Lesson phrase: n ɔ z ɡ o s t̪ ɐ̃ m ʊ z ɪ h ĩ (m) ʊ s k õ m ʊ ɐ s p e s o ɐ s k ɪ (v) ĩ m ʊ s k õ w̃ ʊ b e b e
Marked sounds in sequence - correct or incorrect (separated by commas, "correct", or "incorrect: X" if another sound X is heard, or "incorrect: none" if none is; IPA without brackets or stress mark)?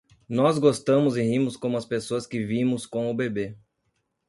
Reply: correct, correct